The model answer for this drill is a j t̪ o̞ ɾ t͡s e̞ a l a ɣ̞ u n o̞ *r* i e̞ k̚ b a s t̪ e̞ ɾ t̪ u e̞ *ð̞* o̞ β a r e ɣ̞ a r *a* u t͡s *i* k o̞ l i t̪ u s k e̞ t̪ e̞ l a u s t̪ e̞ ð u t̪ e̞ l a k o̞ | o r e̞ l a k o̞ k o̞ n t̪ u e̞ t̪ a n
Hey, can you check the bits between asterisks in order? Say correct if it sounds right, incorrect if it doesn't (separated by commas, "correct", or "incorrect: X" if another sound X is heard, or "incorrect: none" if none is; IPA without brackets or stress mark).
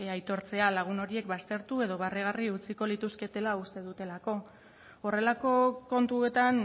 incorrect: ɾ, correct, incorrect: i, correct